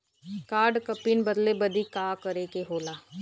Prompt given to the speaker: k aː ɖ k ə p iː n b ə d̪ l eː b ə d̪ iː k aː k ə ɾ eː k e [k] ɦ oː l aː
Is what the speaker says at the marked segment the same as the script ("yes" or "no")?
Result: no